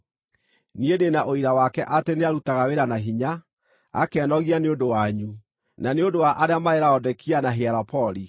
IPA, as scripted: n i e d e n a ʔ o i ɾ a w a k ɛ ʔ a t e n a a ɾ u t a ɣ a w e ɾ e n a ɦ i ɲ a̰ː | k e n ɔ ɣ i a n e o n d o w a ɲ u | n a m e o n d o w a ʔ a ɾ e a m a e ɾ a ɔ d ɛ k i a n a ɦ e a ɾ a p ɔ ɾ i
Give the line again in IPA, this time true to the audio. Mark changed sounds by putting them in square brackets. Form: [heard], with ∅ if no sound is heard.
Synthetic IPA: n i e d e n a ʔ o i ɾ a w a k ɛ ʔ a t e n [e] a ɾ u t a ɣ a w e ɾ [a] n a ɦ i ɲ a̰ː | k [ɛ] n ɔ ɣ i a n e o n d o w a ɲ u | n a [n] e o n d o w a ʔ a ɾ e a m a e ɾ a ɔ d ɛ k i a n a ɦ e a ɾ a p ɔ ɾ i